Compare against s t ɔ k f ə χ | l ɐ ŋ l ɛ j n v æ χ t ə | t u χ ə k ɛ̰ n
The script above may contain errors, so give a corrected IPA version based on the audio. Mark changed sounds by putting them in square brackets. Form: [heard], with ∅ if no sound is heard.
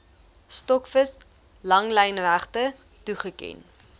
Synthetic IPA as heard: s t ɔ k f ə [s] | l ɐ ŋ l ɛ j n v æ χ t ə | t u χ ə k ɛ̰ n